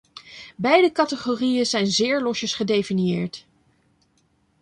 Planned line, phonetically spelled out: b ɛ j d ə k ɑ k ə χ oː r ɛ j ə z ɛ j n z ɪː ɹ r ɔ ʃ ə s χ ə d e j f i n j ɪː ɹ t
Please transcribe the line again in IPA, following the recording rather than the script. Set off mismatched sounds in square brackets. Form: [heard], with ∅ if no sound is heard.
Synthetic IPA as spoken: b ɛ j d ə k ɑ [t] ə χ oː r [i] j ə z ɛ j n z ɪː ɹ [l] ɔ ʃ ə s χ ə d e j f i n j ɪː ɹ t